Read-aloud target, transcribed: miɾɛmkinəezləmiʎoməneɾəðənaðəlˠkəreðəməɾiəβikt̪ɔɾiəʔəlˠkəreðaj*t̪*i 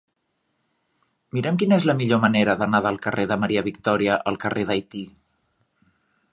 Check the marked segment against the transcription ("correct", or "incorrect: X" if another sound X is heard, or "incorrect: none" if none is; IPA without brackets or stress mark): correct